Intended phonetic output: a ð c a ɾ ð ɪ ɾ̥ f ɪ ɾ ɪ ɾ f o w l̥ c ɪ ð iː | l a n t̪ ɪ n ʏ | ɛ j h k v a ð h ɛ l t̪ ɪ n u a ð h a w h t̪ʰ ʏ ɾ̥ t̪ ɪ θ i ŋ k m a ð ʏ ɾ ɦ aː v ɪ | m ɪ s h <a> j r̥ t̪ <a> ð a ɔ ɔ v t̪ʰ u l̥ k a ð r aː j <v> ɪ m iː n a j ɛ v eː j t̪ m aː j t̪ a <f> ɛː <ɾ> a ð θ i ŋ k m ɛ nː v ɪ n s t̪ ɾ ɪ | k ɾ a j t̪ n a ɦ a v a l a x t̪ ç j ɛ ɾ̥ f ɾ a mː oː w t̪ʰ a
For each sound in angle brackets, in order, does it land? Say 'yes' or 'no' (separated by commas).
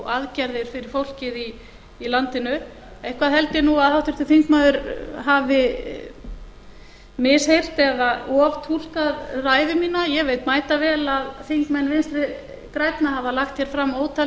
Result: no, no, yes, no, no